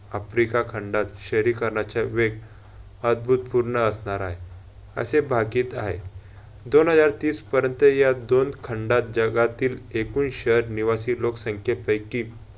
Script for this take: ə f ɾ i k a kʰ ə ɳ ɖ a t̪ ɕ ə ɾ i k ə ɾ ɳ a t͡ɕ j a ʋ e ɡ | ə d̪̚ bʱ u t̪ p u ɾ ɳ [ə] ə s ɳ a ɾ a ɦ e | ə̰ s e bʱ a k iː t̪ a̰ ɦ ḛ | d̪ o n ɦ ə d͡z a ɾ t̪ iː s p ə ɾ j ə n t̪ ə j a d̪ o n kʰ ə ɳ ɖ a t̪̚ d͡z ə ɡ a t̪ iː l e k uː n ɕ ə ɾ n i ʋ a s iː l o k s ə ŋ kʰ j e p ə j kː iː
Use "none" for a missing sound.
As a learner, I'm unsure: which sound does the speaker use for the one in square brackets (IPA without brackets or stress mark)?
ə